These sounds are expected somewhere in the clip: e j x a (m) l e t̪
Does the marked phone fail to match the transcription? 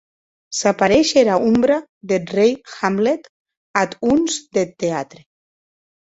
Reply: no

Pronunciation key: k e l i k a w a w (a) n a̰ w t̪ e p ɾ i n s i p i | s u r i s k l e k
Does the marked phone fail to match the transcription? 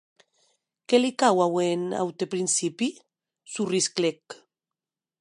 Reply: yes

